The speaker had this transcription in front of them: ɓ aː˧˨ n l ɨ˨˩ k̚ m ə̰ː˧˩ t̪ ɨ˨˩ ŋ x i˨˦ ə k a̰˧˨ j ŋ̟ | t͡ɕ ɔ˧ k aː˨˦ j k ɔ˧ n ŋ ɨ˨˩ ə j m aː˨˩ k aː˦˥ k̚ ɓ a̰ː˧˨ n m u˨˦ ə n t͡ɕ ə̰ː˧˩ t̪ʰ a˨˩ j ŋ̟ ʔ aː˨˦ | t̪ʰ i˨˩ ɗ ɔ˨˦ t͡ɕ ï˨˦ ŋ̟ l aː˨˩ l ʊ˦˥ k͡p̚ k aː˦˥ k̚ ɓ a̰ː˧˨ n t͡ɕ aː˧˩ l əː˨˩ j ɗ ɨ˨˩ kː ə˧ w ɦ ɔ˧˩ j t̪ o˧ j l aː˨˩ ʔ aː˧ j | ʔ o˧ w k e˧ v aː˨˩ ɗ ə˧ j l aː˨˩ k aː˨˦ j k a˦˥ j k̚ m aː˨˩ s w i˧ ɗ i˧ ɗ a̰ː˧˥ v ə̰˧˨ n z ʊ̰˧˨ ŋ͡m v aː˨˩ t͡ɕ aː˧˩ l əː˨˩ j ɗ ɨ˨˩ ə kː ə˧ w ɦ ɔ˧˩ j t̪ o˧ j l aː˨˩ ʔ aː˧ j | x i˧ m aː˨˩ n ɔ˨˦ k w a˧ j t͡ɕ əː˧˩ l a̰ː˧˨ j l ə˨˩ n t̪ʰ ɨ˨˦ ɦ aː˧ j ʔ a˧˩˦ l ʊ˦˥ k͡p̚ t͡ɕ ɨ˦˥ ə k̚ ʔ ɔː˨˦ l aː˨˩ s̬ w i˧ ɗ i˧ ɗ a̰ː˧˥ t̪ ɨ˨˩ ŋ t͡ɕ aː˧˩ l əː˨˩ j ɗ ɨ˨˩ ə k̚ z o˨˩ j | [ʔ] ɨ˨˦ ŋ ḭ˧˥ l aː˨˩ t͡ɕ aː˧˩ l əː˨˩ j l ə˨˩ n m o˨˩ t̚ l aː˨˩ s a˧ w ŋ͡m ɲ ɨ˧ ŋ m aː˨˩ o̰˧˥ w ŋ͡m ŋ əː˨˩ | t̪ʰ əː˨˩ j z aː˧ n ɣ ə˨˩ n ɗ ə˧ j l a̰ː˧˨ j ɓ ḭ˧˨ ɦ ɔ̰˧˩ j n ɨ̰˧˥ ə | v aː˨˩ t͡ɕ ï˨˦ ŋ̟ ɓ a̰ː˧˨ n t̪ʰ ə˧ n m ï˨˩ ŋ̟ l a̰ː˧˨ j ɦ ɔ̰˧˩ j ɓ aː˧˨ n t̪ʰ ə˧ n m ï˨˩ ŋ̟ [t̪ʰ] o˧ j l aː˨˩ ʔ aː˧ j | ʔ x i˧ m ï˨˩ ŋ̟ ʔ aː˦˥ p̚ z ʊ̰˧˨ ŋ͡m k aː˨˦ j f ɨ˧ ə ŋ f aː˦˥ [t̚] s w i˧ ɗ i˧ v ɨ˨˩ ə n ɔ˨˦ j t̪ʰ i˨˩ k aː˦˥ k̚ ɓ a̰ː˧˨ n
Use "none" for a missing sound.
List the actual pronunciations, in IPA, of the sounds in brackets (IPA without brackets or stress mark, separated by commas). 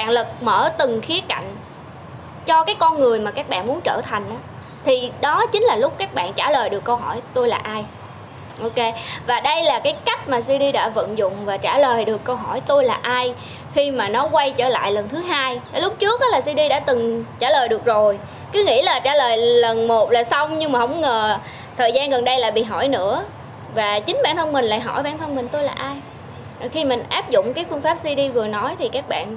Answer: k, t̪, p̚